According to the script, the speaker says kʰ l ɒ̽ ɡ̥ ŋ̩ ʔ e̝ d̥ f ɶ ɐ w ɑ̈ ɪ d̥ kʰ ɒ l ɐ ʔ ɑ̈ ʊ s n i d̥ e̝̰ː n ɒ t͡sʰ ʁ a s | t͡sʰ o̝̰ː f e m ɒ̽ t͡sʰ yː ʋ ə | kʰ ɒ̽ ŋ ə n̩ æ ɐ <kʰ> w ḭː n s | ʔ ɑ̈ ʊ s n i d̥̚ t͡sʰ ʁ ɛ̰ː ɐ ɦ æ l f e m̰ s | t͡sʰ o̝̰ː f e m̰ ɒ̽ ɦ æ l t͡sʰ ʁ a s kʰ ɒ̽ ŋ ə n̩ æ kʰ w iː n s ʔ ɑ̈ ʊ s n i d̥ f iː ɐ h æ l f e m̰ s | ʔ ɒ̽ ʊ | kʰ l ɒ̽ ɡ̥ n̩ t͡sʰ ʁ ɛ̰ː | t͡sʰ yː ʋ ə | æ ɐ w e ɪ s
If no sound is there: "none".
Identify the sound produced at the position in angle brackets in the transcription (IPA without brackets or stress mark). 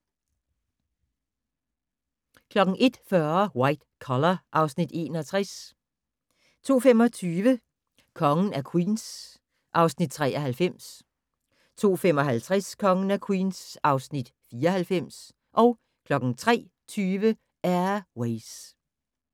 kʰ